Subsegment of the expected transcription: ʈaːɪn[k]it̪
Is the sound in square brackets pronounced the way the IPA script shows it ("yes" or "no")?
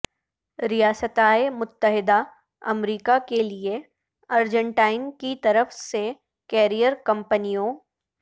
yes